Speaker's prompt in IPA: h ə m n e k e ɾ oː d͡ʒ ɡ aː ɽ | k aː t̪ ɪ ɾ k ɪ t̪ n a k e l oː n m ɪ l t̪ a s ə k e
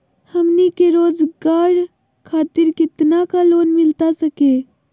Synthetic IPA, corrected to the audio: h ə m n i k e ɾ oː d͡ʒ ɡ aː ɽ | kʰ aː t̪ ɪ ɾ k ɪ t̪ n a k a l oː n m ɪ l t̪ a s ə k e